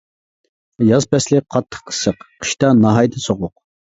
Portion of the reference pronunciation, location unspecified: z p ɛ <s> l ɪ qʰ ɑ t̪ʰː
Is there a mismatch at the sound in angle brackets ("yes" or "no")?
no